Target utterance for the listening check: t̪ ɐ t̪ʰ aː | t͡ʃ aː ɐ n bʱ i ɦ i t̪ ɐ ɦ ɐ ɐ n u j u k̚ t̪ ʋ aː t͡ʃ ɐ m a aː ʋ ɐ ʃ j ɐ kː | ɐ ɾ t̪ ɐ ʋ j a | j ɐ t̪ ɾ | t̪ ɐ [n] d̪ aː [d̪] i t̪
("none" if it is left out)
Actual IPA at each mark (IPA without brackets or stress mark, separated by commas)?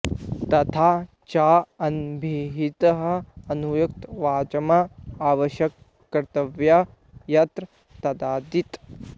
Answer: none, d̪